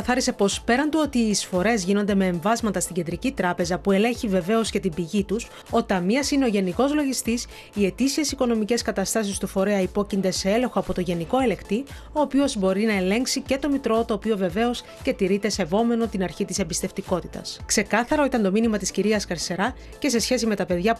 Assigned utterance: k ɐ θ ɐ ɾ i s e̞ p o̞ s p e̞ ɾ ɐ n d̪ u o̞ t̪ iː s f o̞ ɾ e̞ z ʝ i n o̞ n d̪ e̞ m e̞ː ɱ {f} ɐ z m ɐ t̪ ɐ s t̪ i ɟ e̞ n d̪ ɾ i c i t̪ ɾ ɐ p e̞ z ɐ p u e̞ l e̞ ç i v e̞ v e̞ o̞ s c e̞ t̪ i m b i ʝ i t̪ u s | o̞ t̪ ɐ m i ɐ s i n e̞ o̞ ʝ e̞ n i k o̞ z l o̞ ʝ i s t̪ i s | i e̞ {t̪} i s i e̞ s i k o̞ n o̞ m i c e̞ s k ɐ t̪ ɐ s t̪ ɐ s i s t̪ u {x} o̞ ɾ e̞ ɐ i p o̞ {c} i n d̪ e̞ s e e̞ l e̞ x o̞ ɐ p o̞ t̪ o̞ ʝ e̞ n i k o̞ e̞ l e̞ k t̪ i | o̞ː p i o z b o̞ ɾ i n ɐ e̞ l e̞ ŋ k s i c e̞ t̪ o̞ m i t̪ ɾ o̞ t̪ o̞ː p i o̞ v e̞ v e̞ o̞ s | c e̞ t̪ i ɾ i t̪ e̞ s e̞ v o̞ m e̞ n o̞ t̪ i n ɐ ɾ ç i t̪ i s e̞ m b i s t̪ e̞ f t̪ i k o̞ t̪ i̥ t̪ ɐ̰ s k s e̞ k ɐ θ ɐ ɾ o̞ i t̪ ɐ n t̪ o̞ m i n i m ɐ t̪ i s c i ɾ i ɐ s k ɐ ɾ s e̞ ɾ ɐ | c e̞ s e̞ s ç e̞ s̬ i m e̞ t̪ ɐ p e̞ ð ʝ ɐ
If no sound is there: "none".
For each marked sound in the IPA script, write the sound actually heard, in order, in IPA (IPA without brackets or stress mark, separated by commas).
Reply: v, t̪, f, c